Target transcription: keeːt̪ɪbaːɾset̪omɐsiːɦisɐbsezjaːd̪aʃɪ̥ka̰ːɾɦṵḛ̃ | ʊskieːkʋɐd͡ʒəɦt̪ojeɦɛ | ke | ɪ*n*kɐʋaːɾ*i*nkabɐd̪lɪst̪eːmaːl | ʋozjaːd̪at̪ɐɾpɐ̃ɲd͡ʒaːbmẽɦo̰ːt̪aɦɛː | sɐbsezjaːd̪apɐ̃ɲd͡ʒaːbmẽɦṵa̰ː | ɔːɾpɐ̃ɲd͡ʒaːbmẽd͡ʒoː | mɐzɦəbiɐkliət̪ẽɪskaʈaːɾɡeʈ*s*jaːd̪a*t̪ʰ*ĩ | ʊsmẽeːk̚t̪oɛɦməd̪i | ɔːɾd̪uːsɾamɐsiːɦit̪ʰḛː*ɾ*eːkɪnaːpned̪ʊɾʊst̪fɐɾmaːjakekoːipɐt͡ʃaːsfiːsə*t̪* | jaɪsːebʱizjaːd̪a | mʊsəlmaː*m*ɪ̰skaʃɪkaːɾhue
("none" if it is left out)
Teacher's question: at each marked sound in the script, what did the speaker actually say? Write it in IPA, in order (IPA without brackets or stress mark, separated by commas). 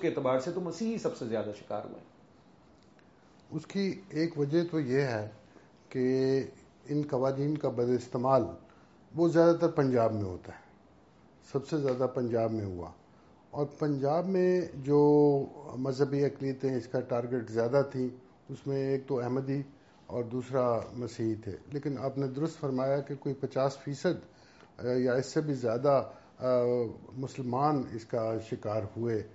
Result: n, iː, z, t̪ʰ, l, d̪, n